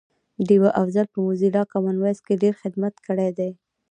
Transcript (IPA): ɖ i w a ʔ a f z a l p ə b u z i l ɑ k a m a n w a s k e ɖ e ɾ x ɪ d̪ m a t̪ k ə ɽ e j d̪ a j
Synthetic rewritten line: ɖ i w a ʔ a f z a l p ə m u z i l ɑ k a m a n w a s k e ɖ e ɾ x ɪ d̪ m a t̪ k ə ɽ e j d̪ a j